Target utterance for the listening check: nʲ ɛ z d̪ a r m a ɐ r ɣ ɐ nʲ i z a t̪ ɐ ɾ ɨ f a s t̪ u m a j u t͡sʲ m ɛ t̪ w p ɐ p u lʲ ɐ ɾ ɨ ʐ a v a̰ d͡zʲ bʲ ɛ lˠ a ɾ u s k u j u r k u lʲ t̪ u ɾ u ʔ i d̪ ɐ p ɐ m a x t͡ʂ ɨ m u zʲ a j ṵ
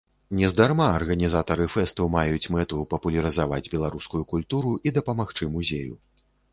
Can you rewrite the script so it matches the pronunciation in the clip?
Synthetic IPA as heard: nʲ ɛ z d̪ a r m a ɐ r ɣ ɐ nʲ i z a t̪ ɐ ɾ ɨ f ɛ s t̪ u m a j u t͡sʲ m ɛ t̪ u p ɐ p u lʲ ɐ ɾ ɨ z a v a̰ d͡zʲ bʲ ɛ lˠ a ɾ u s k u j u k u lʲ t̪ u ɾ u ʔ i d̪ ɐ p ɐ m a x t͡ʂ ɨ m u zʲ e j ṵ